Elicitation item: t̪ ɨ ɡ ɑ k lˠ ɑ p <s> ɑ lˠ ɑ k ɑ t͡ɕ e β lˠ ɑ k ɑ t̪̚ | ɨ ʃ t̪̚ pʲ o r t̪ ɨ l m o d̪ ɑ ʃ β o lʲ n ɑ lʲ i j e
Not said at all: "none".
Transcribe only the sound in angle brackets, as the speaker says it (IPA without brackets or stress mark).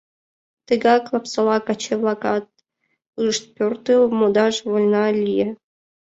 s